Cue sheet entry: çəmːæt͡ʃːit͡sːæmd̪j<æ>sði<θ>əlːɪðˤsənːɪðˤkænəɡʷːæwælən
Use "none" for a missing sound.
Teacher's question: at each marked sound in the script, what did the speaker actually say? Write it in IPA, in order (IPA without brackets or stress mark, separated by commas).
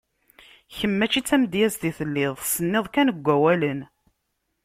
æ, θ